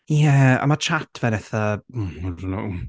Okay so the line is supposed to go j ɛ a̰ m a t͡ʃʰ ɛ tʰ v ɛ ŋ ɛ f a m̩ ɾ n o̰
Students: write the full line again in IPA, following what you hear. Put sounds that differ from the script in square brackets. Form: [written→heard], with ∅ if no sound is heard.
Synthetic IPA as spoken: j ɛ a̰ m a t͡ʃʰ [ɛ→a] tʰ v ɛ [ŋ→n] ɛ [f→θ] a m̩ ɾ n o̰

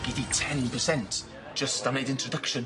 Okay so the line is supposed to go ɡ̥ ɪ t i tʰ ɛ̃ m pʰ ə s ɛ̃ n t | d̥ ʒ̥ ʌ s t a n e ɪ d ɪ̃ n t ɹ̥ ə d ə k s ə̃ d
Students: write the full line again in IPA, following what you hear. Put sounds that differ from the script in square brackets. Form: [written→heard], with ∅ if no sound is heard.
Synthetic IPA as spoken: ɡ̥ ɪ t i tʰ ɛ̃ [m→n] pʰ ə s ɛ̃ n t | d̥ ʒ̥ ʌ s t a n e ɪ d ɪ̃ n t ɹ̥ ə d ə k [s→ʃ] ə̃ [d→n]

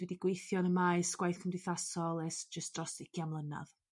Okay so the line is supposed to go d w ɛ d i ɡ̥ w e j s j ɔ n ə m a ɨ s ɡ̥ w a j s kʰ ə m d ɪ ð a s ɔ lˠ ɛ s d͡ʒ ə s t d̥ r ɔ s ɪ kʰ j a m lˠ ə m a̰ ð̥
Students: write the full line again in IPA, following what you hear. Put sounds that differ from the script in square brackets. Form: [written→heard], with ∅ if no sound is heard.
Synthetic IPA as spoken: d w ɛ d i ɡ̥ w e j [s→θ] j ɔ n ə m a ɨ s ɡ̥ w a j [s→θ] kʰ ə m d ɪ [ð→θ] a s ɔ lˠ ɛ s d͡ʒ ə s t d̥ r ɔ s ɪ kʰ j a m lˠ ə [m→n] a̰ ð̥

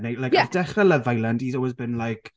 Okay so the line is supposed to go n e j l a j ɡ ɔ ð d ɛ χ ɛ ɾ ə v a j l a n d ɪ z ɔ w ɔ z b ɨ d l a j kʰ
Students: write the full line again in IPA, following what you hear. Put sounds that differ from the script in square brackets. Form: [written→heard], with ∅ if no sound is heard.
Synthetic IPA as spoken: n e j l a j [ɡ→k] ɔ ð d ɛ χ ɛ [ɾ→l] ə v a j l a n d [ɪ→i] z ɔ w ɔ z b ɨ [d→n] l a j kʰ

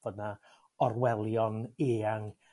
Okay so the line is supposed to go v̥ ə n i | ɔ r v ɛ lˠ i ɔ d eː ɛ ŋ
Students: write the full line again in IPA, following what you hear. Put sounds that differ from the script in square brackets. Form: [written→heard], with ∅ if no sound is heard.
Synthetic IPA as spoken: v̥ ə n [i→a] | ɔ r [v→w] ɛ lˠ [i→j] ɔ [d→n] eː [ɛ→a] ŋ

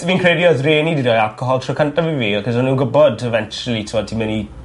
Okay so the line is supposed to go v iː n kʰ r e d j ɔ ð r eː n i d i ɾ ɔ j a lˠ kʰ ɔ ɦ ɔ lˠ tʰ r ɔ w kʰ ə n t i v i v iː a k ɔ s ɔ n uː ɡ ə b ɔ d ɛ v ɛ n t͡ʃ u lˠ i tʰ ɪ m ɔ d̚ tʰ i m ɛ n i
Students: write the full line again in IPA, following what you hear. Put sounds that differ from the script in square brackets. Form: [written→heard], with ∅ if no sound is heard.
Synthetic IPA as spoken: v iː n kʰ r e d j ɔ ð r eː n i d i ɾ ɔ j a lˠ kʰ ɔ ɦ ɔ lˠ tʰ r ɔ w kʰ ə n t [i→a] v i v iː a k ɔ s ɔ n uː ɡ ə b ɔ d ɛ v ɛ n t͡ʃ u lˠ i tʰ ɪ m ɔ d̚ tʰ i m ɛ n i

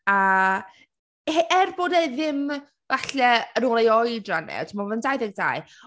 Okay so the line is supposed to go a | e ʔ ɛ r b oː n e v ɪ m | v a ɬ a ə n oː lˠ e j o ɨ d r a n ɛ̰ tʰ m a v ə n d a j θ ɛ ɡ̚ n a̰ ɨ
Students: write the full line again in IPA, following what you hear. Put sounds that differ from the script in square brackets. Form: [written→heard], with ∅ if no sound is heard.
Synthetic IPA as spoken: a | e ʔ ɛ r b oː [n→d] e [v→ð] ɪ m | v a ɬ [a→ɛ] ə n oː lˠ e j [o→ɔ] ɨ d r a n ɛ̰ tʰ m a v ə n d a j [θ→ð] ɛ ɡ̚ [n→d] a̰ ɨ

